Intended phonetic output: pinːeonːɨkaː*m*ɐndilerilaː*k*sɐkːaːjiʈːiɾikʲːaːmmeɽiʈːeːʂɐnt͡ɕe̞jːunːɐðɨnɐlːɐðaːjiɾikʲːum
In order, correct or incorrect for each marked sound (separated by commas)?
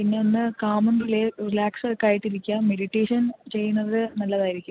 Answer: correct, correct